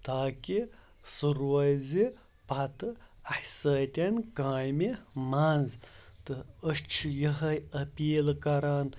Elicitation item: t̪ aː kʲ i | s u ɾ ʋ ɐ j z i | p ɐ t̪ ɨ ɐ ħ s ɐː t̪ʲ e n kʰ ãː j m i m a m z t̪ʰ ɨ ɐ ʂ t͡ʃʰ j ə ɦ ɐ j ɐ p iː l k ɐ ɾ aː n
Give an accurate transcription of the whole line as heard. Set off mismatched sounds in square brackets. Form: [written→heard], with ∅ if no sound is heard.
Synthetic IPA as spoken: t̪ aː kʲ i | s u ɾ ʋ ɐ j z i | p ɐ t̪ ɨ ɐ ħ s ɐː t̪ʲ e n [kʰ→k] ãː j m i m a [m→n] z [t̪ʰ→t̪] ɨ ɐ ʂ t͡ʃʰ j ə ɦ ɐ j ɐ p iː l k ɐ ɾ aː n